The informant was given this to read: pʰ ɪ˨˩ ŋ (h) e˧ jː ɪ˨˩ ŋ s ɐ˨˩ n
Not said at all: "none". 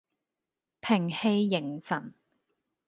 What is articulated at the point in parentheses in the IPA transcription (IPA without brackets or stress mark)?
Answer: h